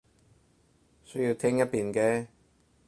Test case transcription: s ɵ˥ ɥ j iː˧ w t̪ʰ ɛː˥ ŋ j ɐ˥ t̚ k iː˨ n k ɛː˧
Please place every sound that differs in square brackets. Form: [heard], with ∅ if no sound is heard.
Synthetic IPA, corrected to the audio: s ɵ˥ ɥ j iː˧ w t̪ʰ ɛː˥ ŋ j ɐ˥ t̚ [p] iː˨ n k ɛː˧